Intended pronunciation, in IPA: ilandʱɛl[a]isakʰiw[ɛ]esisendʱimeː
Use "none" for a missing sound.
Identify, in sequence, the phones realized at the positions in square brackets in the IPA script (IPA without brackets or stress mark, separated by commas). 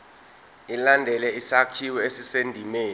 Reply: ɛ, ɛ